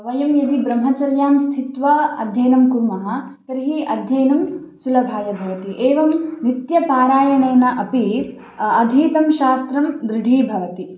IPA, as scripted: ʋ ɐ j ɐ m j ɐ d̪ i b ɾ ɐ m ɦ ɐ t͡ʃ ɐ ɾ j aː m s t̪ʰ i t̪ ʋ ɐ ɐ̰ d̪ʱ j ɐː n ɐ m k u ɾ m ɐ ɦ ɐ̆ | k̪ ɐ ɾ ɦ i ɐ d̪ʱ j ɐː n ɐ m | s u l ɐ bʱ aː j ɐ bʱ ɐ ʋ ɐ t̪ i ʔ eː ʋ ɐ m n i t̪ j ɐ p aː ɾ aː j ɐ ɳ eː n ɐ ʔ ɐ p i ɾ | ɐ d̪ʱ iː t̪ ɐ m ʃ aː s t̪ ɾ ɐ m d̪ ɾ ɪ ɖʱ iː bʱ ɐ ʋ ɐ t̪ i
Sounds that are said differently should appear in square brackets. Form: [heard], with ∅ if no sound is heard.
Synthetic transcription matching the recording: ʋ ɐ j ɐ m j ɐ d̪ i b ɾ ɐ m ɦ ɐ t͡ʃ ɐ ɾ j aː m s t̪ʰ i t̪ ʋ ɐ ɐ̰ d̪ʱ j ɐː n ɐ m k u ɾ m ɐ ɦ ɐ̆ | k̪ ɐ ɾ ɦ i ɐ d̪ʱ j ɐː n ɐ m | s u l ɐ bʱ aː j ɐ bʱ ɐ ʋ ɐ t̪ i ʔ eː ʋ ɐ m n i t̪ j ɐ p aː ɾ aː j ɐ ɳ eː n ɐ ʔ ɐ p i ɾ | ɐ d̪ʱ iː t̪ ɐ m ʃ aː s t̪ ɾ ɐ m d̪ ɾ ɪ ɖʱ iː bʱ ɐ ʋ ɐ t̪ i